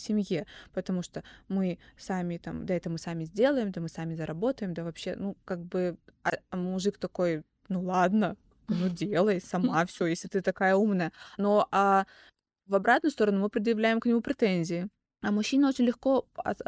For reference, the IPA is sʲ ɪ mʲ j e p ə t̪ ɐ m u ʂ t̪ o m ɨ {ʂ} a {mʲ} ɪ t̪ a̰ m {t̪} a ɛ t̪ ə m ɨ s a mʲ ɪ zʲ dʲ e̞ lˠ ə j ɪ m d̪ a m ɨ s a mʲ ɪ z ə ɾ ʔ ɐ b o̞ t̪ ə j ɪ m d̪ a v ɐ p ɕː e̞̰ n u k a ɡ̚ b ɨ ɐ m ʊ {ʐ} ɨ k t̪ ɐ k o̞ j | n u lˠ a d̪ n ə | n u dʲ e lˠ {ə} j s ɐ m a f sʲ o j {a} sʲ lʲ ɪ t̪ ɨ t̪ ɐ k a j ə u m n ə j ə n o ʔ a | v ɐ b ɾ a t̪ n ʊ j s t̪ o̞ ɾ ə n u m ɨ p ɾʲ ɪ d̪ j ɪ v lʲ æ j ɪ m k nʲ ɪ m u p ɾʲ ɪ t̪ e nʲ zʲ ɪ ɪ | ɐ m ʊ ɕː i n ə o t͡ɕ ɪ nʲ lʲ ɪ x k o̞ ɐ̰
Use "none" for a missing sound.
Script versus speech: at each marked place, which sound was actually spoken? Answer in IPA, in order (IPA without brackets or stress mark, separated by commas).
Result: s, mʲ, d̪, ʐ, ə, e